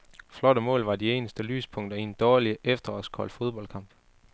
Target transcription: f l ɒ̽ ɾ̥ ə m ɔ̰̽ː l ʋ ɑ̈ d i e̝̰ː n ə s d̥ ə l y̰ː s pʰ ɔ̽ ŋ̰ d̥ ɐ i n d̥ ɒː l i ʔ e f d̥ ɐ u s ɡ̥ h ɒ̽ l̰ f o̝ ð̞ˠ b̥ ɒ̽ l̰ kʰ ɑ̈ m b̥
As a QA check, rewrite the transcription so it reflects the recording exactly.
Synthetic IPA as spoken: f l ɒ̽ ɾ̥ ə m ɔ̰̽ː l ʋ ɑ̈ d i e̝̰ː n ə s d̥ ə l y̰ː s pʰ ɔ̽ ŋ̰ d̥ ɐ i n d̥ ɒː l i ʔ e f d̥ ɐ ɒ s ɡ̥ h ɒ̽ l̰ f o̝ ð̞ˠ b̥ ɒ̽ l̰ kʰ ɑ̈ m b̥